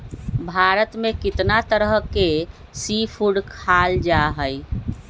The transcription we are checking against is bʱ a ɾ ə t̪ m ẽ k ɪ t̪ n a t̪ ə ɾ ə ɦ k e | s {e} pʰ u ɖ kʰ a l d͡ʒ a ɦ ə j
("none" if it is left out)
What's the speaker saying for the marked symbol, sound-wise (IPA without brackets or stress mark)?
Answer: i